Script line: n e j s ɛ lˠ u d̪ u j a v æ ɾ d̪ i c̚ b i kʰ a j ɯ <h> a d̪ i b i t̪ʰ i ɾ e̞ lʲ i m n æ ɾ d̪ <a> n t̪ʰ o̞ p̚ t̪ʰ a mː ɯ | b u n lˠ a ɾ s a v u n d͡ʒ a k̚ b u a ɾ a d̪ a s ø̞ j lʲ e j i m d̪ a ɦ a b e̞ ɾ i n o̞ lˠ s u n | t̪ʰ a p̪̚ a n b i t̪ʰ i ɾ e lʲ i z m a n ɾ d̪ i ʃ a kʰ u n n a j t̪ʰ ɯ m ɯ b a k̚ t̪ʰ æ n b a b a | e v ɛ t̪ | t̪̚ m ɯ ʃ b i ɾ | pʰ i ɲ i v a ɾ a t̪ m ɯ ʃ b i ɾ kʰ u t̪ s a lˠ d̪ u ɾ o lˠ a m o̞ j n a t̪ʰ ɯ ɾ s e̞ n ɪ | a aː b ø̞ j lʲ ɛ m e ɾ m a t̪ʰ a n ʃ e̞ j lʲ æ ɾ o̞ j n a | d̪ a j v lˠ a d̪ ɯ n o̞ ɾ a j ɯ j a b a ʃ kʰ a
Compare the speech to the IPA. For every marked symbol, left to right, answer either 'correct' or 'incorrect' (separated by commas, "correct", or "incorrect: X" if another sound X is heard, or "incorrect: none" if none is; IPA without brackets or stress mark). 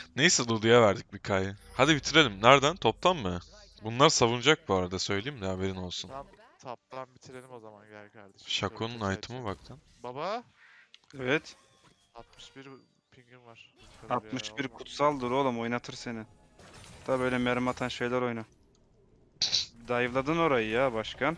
correct, incorrect: æ